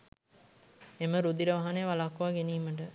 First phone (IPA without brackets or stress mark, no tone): e